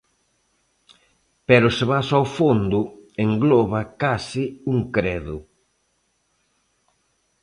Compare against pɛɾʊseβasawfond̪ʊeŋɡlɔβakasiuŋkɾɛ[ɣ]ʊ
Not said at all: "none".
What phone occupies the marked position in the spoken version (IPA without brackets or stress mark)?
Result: ð